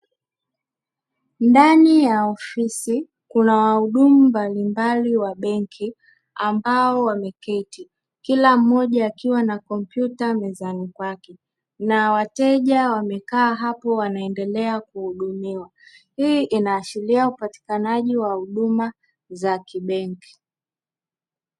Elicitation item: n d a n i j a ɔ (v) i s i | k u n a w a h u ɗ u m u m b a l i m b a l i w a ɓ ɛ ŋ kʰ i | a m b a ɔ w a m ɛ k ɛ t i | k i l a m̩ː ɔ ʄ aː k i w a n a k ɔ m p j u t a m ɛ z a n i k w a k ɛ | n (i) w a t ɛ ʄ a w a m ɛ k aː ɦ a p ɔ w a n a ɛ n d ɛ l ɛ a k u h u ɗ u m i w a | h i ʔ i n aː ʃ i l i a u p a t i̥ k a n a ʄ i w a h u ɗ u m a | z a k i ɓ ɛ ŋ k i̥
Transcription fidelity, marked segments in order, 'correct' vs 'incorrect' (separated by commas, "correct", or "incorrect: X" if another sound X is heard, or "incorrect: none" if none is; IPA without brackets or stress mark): incorrect: f, incorrect: a